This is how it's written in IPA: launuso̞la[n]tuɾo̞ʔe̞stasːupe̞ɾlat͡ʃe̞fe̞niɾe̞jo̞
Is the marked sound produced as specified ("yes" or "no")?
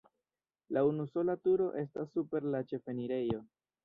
no